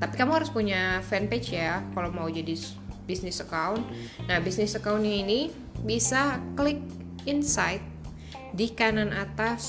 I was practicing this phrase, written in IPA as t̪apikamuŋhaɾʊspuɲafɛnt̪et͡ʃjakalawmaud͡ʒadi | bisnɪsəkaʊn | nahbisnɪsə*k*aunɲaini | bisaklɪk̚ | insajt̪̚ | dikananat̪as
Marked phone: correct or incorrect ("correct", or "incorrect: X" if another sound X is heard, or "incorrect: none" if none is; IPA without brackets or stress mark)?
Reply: correct